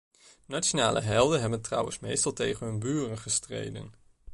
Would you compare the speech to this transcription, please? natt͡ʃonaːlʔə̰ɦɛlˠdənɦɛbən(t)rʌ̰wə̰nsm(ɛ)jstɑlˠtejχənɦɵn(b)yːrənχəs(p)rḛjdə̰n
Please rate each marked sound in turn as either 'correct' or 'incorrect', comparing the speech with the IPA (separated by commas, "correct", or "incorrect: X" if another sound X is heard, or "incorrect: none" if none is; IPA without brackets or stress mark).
correct, incorrect: e, correct, incorrect: t